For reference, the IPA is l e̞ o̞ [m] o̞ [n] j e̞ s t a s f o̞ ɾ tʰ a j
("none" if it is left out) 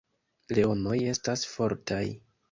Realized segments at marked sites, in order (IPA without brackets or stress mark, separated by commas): n, none